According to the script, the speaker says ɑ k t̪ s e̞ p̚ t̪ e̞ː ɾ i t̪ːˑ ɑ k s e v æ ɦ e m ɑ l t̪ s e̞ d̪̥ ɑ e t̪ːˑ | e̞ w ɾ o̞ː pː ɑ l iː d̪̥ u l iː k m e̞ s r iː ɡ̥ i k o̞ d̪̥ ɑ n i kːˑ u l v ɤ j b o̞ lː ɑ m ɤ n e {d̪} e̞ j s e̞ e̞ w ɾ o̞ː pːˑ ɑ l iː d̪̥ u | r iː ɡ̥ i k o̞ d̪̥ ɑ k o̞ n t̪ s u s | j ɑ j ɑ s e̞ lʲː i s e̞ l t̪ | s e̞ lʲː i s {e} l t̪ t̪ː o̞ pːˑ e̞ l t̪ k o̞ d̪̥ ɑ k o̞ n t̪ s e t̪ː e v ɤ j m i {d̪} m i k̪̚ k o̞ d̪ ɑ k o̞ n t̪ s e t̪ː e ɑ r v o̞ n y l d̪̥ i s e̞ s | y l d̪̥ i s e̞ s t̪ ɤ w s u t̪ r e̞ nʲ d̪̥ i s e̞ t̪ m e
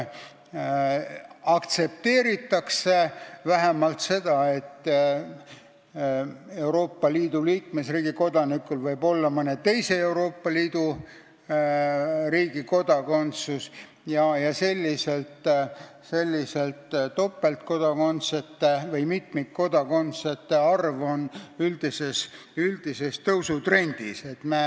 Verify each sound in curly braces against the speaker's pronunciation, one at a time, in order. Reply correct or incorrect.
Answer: incorrect: t̪, correct, incorrect: t̪

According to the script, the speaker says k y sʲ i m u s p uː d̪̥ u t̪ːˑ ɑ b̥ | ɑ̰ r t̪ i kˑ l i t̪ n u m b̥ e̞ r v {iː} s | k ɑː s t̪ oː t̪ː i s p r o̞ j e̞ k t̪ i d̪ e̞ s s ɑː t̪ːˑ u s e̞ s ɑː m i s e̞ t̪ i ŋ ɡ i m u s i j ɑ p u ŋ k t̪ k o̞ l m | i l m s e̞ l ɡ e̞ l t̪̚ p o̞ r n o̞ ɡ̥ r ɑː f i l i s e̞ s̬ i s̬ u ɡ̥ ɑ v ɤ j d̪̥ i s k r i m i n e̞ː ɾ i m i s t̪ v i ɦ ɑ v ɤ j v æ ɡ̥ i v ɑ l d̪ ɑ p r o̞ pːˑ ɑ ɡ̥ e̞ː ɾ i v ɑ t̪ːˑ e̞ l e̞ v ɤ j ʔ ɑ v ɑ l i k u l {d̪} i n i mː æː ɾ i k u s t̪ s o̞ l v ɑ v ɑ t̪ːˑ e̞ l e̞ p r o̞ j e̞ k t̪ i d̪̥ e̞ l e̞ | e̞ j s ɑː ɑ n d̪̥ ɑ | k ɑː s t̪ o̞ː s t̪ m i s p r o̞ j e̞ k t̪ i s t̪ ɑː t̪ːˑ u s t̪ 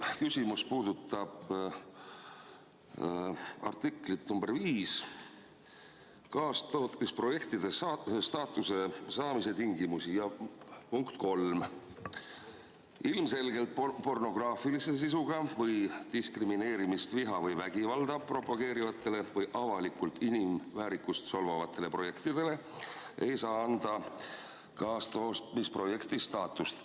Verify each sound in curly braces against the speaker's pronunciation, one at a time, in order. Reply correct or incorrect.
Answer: correct, incorrect: t̪

